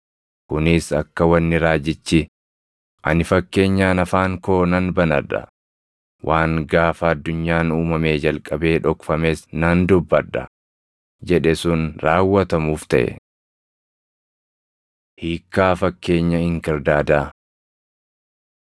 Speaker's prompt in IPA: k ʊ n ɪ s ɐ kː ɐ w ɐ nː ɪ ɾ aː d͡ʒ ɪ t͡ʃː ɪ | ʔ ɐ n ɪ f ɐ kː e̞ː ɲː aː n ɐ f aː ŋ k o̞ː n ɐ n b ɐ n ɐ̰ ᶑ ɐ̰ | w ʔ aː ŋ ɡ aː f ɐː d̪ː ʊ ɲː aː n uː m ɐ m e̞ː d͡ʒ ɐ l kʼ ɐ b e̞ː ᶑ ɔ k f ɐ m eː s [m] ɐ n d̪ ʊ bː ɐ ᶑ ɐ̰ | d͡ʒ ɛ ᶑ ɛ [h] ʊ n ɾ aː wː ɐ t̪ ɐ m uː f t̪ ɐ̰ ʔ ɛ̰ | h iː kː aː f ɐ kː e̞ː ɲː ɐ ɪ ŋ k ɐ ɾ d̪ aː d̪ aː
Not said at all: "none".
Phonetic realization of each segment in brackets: n, s

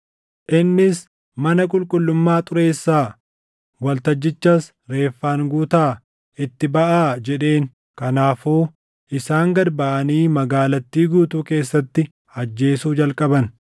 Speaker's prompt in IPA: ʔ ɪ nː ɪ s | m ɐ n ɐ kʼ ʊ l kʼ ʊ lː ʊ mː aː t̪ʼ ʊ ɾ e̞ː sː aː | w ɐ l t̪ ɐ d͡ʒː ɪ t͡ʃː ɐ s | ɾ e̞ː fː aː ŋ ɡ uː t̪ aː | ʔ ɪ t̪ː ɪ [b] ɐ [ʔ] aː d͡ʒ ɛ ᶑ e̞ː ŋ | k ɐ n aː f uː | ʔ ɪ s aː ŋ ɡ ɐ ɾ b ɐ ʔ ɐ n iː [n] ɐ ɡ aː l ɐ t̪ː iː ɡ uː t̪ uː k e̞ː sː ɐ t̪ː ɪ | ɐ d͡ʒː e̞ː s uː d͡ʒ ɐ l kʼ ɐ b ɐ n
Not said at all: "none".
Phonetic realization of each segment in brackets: b, ʔ, m

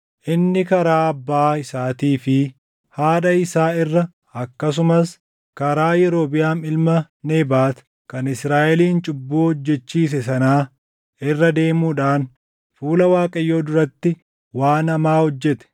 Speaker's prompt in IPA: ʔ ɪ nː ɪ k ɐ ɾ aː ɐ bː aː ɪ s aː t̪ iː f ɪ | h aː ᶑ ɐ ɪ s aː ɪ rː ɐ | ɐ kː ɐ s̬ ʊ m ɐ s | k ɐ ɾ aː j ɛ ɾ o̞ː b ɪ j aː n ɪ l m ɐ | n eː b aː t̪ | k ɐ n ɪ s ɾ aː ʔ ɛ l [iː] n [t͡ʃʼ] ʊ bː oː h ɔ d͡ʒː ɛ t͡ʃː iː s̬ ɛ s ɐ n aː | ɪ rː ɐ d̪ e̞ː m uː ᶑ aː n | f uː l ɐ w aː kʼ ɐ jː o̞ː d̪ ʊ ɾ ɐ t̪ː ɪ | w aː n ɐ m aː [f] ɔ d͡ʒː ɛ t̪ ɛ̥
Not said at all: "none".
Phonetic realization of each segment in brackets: iː, t͡ʃʼ, h

